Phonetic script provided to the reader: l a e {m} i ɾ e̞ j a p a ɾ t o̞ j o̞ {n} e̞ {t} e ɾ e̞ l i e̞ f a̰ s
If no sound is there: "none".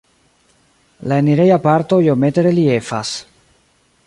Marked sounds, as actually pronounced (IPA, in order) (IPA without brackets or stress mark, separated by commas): n, m, t